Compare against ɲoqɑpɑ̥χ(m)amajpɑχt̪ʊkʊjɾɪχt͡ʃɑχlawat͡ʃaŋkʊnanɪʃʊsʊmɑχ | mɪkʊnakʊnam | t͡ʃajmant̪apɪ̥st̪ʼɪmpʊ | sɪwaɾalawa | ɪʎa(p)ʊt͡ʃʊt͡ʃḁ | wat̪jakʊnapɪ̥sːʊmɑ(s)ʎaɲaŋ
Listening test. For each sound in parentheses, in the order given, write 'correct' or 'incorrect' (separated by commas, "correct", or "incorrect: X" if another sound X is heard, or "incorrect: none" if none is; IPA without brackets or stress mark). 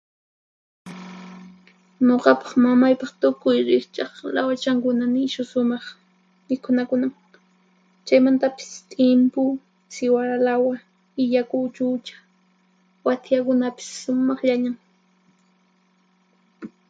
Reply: correct, incorrect: k, incorrect: χ